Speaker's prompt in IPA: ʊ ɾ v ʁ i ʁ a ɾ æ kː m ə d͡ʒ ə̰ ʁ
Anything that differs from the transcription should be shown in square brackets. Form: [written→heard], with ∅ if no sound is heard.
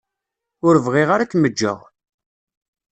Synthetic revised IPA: ʊ ɾ v ʁ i ʁ a ɾ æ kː m ə [d͡ʒ→d͡ʒː] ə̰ ʁ